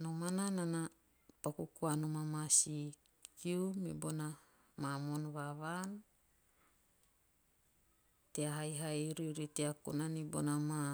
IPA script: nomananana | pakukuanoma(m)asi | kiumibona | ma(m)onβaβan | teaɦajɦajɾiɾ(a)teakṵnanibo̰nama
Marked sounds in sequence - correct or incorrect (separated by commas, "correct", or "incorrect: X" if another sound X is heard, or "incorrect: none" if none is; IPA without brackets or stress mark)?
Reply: correct, correct, incorrect: i